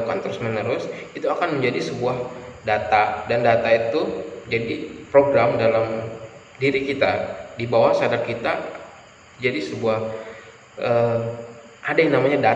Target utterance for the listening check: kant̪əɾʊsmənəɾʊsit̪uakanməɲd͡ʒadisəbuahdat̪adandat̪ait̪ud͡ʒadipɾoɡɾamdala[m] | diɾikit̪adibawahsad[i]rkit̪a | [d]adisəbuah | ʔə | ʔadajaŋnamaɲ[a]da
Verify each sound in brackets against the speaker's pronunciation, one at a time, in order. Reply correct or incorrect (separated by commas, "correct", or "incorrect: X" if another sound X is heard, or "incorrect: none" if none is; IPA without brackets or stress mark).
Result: correct, incorrect: a, incorrect: d͡ʒ, correct